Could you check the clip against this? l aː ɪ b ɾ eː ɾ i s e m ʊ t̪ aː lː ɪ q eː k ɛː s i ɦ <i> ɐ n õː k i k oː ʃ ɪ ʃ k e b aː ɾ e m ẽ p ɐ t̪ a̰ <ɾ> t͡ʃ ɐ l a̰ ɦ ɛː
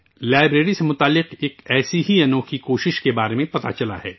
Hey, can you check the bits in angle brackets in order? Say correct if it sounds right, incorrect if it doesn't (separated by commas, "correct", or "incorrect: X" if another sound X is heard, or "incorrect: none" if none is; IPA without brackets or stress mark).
correct, incorrect: none